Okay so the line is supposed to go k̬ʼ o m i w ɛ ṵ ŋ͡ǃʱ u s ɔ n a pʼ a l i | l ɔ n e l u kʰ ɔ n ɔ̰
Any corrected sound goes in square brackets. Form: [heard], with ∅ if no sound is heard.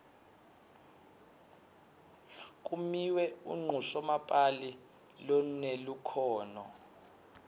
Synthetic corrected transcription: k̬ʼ [u] m i w ɛ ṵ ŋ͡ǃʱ u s ɔ [m] a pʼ a l i | l ɔ n e l u kʰ [ɔː] n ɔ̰